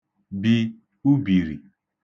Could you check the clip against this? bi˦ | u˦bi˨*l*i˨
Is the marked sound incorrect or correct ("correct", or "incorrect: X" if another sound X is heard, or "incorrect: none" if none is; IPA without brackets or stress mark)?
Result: incorrect: ɾ